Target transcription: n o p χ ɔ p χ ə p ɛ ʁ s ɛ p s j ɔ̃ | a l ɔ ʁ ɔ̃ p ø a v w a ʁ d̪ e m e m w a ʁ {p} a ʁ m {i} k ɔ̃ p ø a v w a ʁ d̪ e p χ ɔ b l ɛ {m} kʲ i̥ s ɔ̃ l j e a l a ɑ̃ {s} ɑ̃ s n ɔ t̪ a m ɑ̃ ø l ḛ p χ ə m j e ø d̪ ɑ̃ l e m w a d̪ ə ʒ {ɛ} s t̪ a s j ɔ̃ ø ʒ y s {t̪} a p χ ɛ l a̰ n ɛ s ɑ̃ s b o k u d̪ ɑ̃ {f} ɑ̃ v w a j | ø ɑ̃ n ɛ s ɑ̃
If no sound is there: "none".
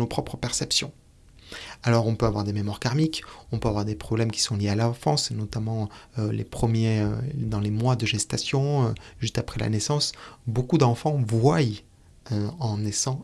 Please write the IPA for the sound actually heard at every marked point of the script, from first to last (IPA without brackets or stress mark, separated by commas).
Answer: k, i, m, f, ɛ, t̪, f